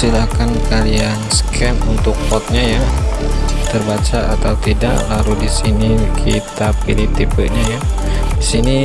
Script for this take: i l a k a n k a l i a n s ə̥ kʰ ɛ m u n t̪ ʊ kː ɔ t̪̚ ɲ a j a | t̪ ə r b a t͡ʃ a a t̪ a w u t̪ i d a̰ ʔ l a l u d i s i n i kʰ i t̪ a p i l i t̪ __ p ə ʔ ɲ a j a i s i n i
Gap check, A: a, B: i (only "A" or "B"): B